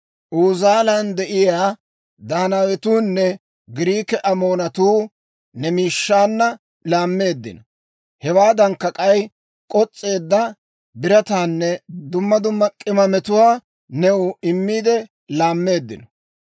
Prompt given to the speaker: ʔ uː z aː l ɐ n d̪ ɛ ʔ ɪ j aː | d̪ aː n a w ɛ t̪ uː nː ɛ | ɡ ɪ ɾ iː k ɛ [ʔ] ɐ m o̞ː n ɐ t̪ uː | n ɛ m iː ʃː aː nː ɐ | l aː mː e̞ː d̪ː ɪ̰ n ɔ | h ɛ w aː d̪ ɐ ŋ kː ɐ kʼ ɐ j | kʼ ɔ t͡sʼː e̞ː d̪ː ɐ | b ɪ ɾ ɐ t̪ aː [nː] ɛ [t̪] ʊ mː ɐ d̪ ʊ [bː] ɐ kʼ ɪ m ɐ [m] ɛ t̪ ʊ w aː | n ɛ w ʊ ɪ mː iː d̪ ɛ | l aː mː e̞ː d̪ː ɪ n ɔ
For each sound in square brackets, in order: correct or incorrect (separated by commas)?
correct, correct, incorrect, incorrect, correct